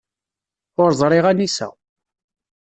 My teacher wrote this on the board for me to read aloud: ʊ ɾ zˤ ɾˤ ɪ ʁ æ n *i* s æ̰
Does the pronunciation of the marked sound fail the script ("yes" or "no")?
no